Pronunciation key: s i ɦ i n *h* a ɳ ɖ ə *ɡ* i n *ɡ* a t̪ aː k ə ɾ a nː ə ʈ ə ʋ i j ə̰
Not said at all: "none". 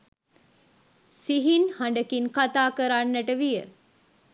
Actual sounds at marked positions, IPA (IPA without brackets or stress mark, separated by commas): h, k, k